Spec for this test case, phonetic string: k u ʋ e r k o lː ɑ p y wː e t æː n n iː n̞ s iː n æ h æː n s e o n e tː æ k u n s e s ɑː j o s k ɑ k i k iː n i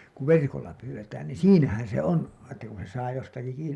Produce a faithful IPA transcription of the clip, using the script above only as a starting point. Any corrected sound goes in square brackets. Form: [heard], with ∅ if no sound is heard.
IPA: k u ʋ e r k o lː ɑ p [yː] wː e t æː n n iː n̞ s iː n æ h [æ] n s e o n e tː æ k u n s e s ɑː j o s [t] ɑ k i k iː n i